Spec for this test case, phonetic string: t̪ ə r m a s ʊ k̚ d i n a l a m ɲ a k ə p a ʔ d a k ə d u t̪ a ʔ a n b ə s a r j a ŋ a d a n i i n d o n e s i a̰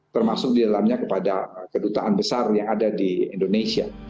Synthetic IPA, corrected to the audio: t̪ ə r m a s ʊ k̚ d i d a l a m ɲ a k ə p a d a k ə d u t̪ a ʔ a n b ə s a r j a ŋ a d a d i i n d o n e s i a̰